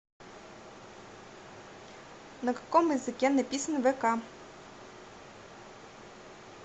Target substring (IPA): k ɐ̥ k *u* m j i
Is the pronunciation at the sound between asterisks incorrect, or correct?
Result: incorrect: ɔ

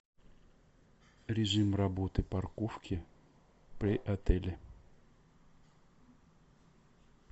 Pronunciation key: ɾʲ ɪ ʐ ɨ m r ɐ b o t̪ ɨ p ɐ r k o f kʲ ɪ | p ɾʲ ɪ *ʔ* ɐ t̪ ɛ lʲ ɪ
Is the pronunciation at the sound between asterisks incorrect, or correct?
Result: correct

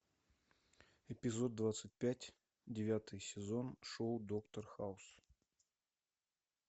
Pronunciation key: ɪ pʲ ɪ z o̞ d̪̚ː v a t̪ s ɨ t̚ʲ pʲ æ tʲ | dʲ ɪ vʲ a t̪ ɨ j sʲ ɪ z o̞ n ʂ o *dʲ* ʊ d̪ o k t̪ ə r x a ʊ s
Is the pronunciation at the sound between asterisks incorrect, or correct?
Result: incorrect: none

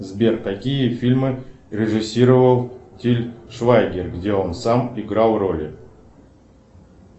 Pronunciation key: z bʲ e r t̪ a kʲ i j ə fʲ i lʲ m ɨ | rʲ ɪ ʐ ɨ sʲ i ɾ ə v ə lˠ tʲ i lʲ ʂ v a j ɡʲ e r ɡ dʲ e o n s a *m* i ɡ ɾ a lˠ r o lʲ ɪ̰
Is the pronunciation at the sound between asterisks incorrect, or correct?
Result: correct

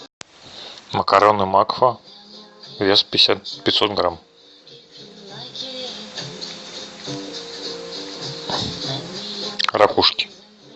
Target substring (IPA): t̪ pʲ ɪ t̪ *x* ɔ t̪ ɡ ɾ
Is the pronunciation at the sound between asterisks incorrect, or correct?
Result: incorrect: s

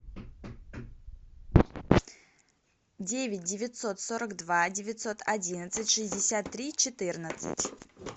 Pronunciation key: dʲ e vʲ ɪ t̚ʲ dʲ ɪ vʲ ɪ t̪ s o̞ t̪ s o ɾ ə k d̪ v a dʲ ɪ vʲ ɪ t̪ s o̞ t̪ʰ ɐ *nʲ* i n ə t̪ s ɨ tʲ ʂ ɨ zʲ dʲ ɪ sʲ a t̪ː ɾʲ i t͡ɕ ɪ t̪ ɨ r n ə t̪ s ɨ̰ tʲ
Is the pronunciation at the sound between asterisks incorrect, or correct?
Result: incorrect: dʲ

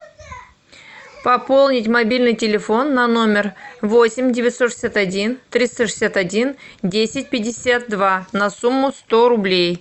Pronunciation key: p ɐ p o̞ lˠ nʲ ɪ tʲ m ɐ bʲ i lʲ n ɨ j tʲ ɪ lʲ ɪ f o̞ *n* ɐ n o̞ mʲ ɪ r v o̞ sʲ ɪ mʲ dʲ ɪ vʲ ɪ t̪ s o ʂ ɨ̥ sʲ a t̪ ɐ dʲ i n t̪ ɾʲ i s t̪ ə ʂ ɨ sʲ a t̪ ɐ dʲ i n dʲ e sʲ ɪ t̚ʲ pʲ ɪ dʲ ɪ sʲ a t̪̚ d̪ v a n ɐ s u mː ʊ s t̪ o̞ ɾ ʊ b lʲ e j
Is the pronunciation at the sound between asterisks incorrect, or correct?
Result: incorrect: nː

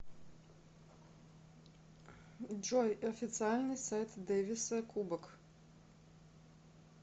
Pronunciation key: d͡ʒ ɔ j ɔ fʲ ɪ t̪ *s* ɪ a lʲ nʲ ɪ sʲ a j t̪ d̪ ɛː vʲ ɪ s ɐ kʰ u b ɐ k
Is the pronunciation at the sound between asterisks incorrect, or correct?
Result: correct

